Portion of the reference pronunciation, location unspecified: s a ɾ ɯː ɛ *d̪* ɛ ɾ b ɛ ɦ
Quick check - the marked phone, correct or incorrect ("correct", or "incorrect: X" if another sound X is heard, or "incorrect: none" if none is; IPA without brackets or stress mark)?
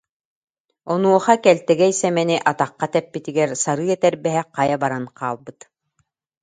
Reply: incorrect: t̪